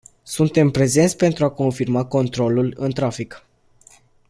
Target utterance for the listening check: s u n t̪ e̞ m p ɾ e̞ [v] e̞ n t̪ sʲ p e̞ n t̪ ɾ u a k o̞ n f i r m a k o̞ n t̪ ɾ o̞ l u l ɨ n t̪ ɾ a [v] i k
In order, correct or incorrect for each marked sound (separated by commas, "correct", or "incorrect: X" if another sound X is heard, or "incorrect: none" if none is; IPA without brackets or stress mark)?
incorrect: z, incorrect: f